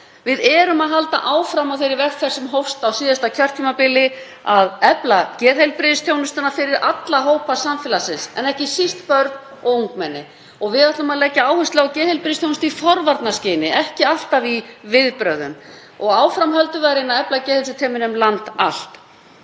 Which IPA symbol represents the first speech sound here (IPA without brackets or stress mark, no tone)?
v